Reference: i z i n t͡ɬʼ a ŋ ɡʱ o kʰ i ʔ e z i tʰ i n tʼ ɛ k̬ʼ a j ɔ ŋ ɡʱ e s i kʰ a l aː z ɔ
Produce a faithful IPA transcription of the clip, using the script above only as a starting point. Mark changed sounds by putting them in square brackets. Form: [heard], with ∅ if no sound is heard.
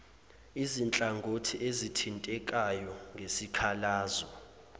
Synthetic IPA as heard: i z i n t͡ɬʼ a ŋ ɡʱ o [tʰ] i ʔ e z i tʰ i n tʼ ɛ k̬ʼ a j ɔ ŋ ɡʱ e s i kʰ a l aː z ɔ